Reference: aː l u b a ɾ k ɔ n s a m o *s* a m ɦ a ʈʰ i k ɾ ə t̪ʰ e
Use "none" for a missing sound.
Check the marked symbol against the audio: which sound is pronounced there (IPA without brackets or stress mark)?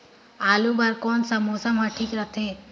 s